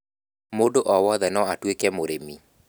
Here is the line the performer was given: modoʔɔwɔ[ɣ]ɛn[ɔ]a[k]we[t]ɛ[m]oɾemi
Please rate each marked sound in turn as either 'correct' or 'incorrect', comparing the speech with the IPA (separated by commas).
incorrect, correct, incorrect, incorrect, correct